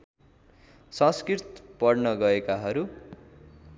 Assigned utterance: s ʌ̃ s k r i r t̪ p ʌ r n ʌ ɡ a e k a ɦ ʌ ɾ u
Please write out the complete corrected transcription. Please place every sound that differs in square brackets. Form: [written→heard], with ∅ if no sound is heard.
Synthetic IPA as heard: s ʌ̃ s k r i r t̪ p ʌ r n ʌ ɡ [a→ʌ] e k a ɦ ʌ ɾ u